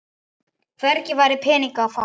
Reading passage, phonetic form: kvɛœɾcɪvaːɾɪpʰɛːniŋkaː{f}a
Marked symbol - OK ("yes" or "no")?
yes